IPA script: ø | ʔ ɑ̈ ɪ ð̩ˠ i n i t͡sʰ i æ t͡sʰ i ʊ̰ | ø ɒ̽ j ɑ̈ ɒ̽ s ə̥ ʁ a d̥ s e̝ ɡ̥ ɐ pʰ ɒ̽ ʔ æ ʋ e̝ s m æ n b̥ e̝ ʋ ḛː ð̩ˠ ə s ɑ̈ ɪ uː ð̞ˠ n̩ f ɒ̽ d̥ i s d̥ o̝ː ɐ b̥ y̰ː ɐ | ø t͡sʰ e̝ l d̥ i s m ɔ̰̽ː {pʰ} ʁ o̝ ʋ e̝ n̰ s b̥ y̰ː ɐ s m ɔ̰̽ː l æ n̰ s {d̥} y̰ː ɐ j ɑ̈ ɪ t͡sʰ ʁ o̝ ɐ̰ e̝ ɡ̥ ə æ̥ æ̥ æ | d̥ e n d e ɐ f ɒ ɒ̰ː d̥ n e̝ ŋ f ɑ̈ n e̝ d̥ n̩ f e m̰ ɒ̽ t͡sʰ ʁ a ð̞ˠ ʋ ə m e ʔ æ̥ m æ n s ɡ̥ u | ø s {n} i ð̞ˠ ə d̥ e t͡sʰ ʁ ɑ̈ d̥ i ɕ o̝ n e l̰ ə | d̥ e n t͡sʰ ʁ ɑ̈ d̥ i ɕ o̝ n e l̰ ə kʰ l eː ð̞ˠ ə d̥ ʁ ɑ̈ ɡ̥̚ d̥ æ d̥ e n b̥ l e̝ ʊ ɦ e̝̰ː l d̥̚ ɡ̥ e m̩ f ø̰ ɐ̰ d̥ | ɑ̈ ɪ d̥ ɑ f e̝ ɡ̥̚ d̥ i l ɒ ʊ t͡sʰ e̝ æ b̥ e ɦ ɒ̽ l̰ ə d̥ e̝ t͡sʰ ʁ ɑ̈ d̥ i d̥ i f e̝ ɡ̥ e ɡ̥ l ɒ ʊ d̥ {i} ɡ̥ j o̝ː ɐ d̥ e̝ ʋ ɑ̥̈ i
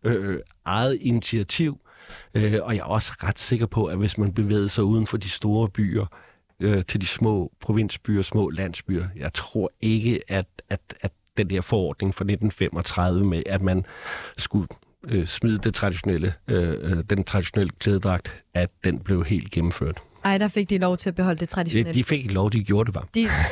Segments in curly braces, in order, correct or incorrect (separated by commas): correct, incorrect, incorrect, correct